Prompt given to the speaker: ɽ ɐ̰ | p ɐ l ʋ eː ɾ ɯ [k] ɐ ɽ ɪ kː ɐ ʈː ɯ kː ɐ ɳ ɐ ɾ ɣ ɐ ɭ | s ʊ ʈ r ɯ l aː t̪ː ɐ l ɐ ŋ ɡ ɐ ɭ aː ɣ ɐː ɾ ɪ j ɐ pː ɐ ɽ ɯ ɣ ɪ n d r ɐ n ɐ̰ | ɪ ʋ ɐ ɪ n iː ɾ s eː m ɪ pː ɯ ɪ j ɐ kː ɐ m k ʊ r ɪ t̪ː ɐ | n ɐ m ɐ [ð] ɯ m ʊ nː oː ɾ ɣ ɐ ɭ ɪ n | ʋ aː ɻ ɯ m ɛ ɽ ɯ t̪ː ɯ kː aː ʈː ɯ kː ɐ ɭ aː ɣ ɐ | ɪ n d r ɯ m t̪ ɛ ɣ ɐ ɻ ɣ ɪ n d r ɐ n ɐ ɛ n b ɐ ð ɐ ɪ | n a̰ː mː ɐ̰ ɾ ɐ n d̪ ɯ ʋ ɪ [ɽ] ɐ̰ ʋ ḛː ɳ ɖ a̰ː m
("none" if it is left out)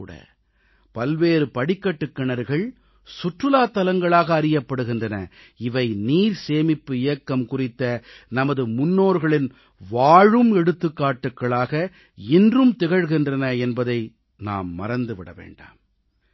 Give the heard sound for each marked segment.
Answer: p, ð, ɽ

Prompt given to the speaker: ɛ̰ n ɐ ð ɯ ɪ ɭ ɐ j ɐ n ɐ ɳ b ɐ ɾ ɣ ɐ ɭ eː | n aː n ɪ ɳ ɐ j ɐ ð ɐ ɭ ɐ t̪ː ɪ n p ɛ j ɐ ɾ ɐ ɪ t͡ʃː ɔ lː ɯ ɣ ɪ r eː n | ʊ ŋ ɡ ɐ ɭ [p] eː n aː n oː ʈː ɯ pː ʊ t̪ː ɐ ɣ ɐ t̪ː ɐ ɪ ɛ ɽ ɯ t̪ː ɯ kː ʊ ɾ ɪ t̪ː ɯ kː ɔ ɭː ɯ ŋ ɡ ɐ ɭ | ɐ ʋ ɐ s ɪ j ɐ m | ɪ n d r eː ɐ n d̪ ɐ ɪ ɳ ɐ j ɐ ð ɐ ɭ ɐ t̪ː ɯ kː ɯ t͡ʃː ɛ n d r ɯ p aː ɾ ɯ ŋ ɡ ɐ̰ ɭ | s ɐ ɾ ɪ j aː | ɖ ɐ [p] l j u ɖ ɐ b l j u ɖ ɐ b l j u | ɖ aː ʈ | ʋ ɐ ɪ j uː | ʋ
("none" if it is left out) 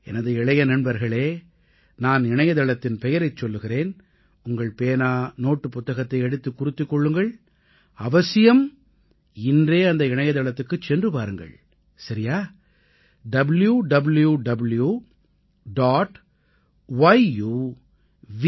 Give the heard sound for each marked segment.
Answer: p, b

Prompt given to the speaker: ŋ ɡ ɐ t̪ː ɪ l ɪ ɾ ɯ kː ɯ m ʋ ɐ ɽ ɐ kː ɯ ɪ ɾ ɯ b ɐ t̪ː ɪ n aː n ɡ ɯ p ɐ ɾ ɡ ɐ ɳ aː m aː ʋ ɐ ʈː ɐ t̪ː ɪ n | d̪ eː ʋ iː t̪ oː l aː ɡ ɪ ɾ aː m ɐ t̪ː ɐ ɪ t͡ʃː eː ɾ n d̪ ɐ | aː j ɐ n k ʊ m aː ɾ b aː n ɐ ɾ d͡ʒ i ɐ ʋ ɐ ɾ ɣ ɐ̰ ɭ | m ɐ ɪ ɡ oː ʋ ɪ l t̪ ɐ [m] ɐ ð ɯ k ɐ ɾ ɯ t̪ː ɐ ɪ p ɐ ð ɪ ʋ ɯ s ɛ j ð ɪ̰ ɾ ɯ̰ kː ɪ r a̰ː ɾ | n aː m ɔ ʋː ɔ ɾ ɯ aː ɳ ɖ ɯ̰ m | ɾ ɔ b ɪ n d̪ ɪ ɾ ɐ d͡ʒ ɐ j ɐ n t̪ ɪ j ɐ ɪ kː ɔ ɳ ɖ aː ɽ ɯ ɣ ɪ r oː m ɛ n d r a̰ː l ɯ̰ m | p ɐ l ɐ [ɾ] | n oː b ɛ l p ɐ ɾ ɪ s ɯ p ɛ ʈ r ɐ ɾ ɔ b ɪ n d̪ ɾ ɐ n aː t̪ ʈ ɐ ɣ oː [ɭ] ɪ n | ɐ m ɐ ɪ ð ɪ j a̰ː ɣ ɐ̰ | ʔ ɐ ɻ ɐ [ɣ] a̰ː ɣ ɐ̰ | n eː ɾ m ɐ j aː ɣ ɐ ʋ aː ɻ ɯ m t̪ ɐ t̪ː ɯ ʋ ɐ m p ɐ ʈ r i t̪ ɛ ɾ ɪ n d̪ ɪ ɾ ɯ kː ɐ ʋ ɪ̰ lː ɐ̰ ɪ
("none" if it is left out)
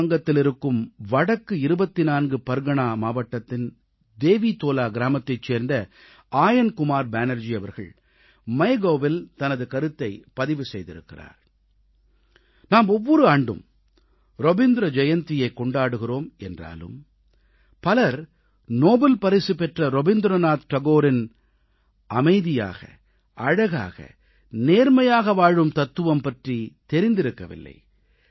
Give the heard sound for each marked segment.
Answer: n, ɾ, ɾ, ɣ

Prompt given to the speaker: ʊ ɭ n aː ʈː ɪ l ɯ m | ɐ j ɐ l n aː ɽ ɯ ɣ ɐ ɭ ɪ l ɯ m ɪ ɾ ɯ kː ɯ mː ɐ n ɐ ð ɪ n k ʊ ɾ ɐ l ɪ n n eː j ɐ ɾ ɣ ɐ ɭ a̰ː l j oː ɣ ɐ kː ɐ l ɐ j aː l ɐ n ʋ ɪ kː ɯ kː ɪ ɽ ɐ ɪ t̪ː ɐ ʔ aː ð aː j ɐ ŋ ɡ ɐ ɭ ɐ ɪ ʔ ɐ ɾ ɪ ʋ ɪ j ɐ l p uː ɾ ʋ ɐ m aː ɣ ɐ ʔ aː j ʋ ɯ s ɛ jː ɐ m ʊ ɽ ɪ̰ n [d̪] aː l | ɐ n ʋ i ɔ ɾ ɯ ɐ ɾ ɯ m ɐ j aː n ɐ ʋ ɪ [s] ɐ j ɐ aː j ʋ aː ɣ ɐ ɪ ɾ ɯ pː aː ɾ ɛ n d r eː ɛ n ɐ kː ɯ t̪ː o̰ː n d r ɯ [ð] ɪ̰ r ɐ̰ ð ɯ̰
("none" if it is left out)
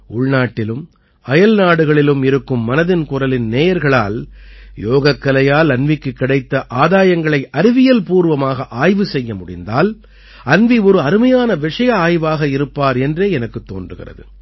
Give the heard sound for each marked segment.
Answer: d̪, ʂ, ɣ

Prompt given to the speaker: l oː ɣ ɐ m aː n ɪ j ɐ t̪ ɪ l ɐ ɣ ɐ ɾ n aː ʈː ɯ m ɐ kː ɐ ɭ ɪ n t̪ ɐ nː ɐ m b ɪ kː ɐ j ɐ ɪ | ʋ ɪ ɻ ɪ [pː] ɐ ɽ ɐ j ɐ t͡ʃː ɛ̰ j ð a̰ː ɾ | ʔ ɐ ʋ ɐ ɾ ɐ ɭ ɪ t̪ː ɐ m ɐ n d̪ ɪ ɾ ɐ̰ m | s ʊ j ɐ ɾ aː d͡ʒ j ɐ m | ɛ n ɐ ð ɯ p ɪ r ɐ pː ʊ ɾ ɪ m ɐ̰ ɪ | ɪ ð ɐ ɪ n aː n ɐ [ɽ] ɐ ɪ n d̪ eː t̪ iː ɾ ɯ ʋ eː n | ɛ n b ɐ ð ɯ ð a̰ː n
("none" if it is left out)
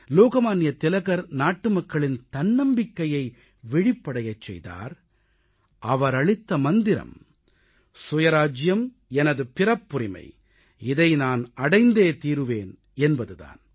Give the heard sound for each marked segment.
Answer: pː, ɽ

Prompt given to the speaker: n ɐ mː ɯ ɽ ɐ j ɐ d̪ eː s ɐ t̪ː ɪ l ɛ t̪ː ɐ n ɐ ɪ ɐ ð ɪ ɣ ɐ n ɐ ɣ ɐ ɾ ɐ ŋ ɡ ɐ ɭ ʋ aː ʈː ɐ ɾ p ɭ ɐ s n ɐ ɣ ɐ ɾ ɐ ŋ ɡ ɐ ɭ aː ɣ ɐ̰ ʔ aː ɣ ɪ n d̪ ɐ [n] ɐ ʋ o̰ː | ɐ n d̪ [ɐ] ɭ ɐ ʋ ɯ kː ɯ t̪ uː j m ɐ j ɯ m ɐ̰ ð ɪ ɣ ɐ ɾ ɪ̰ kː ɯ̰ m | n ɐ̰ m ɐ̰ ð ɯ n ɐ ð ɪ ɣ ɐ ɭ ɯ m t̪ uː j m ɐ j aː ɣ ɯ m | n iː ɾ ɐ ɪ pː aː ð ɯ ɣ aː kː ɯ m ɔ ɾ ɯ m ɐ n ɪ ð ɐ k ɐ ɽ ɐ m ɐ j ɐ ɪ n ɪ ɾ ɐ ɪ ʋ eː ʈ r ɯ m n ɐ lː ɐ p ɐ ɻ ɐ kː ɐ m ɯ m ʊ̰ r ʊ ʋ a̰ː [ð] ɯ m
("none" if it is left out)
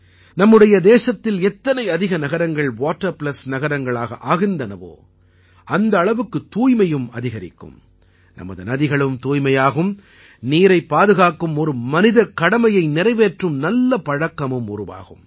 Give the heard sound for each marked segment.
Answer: n, ɐː, ɣ

